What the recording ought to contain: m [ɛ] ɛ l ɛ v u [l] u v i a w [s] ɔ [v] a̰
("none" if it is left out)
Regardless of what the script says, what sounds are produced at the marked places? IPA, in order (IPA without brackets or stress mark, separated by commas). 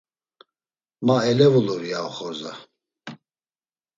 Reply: a, l, χ, z